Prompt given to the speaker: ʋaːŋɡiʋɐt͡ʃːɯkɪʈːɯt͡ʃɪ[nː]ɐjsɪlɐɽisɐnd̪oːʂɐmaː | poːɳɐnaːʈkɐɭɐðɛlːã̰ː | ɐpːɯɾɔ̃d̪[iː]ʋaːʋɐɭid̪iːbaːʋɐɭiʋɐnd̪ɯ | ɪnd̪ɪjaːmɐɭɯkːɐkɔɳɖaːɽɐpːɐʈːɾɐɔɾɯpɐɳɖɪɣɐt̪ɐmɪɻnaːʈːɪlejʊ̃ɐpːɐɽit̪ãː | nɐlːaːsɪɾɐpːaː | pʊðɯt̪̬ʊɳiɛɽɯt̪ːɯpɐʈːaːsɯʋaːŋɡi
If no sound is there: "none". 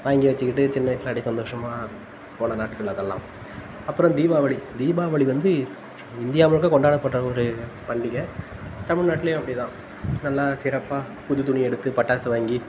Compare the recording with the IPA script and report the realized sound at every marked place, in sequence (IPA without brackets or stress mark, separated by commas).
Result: nː, iː